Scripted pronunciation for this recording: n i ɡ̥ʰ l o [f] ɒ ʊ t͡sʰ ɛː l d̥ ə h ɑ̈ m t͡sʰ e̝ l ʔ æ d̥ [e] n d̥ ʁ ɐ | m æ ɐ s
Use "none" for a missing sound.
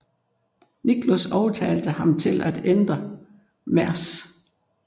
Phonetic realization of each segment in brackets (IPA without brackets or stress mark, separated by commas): s, e